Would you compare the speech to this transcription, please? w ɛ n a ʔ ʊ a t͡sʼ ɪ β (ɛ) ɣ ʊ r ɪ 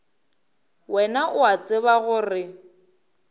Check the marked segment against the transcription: incorrect: a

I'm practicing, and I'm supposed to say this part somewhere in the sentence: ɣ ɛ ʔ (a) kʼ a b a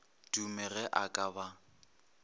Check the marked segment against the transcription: correct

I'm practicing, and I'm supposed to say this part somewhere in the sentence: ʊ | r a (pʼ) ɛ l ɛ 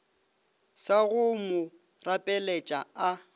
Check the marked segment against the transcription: correct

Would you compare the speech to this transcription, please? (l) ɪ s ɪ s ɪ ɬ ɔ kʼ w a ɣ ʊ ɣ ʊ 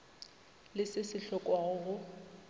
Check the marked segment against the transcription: correct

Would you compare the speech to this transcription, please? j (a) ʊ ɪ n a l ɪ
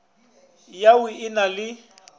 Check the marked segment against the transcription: correct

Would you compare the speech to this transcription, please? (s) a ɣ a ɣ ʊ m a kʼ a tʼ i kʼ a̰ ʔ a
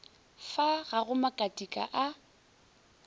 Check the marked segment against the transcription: incorrect: f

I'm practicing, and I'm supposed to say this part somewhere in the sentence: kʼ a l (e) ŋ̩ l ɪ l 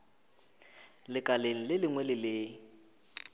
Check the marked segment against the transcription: correct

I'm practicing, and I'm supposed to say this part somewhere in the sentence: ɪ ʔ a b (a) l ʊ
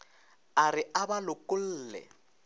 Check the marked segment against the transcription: correct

